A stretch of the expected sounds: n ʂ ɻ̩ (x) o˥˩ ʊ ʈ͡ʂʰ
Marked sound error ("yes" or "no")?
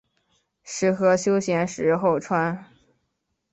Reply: no